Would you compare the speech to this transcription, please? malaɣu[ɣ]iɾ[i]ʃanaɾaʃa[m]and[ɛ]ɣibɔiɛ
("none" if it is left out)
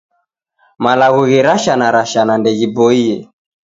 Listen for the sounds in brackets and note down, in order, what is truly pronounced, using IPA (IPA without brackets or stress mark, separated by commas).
ɣ, a, n, ɛ